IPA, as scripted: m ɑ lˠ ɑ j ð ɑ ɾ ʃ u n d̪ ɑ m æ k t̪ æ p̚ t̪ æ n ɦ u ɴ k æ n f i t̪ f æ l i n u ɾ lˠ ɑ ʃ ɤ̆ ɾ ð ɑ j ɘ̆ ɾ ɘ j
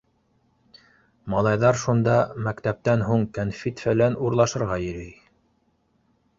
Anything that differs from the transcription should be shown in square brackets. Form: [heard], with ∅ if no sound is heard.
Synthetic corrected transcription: m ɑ lˠ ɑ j ð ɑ ɾ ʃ u n d̪ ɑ m æ k t̪ æ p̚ t̪ æ n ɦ u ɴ k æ n f i t̪ f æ l [æ] n u ɾ lˠ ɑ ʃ ɤ̆ ɾ [ʁ] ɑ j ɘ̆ ɾ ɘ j